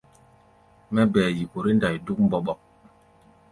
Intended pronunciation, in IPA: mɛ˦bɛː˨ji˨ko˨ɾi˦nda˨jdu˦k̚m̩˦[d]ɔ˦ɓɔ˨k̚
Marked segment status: incorrect: b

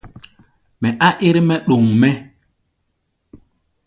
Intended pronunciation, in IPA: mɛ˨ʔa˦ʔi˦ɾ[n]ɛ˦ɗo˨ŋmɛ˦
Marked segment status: incorrect: m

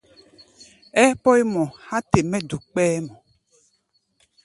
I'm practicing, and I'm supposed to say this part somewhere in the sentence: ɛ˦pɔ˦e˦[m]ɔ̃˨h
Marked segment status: correct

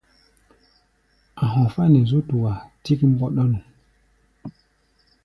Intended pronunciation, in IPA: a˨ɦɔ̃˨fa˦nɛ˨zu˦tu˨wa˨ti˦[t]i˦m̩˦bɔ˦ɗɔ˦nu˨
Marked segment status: incorrect: k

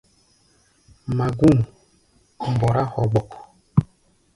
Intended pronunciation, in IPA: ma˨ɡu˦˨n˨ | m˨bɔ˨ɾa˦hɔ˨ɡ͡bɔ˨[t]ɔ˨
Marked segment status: incorrect: k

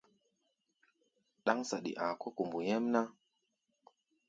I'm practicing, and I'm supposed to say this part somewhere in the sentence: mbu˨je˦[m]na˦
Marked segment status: correct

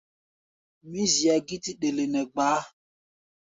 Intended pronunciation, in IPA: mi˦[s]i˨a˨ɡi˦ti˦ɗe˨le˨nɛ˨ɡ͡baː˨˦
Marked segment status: incorrect: z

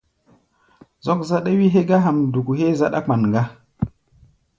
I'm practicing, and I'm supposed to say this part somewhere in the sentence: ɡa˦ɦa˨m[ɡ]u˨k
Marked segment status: incorrect: d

